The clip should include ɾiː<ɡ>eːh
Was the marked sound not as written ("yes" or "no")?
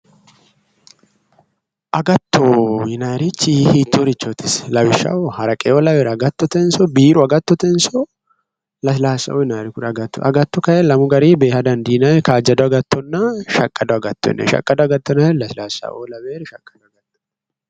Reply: yes